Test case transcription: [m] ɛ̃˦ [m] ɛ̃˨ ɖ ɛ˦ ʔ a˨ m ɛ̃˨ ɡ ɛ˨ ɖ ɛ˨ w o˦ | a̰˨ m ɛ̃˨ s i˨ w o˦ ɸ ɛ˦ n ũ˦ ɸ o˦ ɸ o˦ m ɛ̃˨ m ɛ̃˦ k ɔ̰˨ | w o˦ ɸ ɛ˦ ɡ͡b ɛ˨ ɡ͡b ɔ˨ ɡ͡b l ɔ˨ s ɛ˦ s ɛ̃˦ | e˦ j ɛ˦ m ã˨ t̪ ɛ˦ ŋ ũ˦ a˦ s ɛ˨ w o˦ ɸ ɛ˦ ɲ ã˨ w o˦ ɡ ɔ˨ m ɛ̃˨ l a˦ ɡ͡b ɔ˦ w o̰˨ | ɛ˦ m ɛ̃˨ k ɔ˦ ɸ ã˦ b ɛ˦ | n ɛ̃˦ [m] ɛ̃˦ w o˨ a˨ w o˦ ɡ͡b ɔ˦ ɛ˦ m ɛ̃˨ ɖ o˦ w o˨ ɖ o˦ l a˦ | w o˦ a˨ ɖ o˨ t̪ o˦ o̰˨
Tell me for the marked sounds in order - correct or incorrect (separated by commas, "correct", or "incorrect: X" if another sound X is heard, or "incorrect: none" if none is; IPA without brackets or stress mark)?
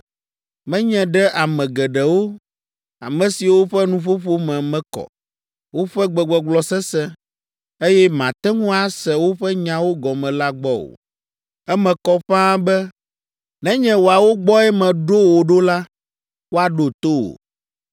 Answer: correct, incorrect: ɲ, incorrect: ɲ